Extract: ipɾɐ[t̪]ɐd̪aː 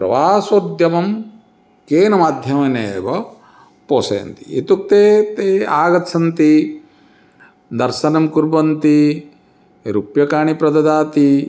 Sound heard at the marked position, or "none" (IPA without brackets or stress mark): d̪